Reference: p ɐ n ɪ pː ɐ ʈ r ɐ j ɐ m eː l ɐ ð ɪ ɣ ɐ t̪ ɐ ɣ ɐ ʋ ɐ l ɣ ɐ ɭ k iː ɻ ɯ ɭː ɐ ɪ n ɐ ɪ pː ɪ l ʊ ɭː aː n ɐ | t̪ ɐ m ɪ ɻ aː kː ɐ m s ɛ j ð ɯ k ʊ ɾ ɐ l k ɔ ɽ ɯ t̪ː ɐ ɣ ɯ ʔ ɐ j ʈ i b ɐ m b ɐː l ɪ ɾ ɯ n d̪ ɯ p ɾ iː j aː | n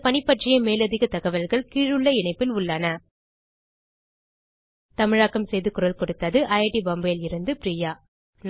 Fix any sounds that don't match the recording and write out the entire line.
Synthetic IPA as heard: p ɐ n ɪ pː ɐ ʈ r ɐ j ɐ m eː l ɐ ð ɪ ɣ ɐ t̪ ɐ ɣ ɐ ʋ ɐ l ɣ ɐ ɭ k iː ɻ ɯ ɭː ɐ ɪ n ɐ ɪ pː ɪ l ʊ ɭː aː n ɐ | t̪ ɐ m ɪ ɻ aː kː ɐ m s ɛ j ð ɯ k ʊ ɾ ɐ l k ɔ ɽ ɯ t̪ː ɐ ð ɯ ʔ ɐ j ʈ i b ɐ m b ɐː l ɪ ɾ ɯ n d̪ ɯ p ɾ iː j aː | n

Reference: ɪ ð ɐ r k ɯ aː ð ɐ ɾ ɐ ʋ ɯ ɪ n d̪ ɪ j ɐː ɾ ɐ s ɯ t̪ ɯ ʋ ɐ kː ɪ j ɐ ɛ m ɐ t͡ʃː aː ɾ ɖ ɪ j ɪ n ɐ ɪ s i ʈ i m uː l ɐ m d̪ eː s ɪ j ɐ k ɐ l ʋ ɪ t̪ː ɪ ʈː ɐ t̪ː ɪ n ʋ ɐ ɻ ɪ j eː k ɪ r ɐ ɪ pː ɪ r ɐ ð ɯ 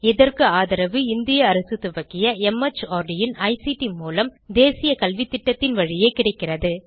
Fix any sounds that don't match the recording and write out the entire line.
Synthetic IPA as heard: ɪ ð ɐ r k ɯ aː ð ɐ ɾ ɐ ʋ ɯ ɪ n d̪ ɪ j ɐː ɾ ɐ s ɯ t̪ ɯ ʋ ɐ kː ɪ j ɐ ɛ m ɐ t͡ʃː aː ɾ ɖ ɪ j ɪ n ɐ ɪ s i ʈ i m uː l ɐ m d̪ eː s ɪ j ɐ k ɐ l ʋ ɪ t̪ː ɪ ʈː ɐ t̪ː ɪ n ʋ ɐ ɻ ɪ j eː k ɪ ɽ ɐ ɪ kː ɪ r ɐ ð ɯ

